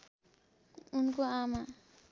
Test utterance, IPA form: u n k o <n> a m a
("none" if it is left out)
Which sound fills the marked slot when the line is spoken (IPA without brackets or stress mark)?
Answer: none